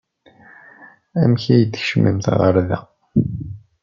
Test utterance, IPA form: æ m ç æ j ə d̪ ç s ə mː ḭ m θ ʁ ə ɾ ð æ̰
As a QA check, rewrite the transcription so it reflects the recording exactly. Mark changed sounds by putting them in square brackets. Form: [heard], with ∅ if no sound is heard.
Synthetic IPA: æ m ç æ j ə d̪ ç [ʃ] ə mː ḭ m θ ʁ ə ɾ ð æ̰